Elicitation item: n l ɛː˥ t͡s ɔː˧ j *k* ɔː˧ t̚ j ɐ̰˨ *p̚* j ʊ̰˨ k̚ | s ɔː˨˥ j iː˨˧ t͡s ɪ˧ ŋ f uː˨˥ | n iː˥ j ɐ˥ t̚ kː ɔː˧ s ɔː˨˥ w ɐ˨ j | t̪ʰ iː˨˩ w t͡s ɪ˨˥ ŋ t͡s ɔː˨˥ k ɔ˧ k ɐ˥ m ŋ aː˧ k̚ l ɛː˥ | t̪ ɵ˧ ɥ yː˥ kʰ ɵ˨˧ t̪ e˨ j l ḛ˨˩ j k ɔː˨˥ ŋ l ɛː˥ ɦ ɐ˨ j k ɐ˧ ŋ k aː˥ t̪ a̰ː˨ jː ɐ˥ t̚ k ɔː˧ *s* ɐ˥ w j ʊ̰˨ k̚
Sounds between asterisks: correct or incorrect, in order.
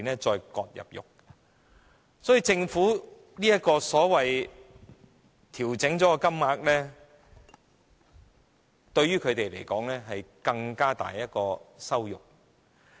correct, correct, correct

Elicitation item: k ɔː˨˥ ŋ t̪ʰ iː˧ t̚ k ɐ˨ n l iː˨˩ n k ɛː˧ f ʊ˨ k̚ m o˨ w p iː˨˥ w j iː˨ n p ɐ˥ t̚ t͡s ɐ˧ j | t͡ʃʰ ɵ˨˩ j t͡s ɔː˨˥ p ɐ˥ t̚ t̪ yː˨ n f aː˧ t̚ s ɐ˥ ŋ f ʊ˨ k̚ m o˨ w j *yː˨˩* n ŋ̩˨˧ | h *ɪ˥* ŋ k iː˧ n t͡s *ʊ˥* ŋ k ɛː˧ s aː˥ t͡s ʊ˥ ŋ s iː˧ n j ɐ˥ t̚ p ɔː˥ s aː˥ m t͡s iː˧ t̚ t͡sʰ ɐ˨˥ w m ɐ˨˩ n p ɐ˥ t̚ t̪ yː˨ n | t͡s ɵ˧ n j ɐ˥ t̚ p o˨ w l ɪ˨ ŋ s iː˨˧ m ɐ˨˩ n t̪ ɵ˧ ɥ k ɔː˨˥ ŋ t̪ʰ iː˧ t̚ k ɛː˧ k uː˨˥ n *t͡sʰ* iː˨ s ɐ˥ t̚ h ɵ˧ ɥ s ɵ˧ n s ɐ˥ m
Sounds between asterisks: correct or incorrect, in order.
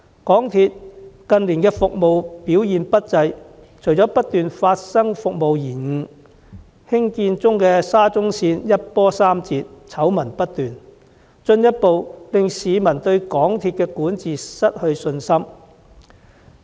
incorrect, correct, correct, incorrect

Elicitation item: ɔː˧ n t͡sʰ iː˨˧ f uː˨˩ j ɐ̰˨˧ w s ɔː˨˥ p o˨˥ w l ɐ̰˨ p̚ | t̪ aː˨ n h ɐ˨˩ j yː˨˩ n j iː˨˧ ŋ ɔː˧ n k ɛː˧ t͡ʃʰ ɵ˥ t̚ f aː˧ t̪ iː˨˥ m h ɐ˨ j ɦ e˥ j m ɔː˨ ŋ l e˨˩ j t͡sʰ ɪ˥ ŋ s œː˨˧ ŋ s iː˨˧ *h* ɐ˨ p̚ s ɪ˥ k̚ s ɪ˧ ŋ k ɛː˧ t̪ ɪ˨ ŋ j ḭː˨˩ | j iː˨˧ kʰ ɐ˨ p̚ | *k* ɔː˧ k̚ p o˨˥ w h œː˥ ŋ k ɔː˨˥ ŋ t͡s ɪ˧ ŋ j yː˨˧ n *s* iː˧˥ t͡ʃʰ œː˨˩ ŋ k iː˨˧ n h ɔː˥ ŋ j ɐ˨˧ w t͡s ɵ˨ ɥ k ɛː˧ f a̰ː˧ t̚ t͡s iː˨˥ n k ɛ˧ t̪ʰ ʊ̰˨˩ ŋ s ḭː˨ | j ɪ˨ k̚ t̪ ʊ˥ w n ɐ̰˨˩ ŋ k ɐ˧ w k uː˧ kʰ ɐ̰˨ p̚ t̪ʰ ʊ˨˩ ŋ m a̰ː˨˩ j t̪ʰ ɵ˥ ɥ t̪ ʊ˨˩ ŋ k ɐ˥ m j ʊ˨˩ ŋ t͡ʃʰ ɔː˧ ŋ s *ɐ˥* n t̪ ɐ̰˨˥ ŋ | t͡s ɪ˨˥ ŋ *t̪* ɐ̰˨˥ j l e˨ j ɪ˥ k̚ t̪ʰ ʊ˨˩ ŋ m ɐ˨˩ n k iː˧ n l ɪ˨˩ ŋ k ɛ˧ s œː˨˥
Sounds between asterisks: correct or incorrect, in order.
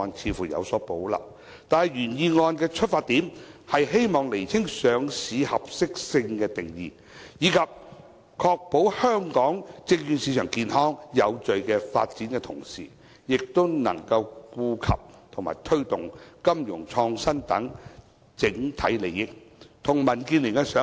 correct, incorrect, correct, correct, incorrect

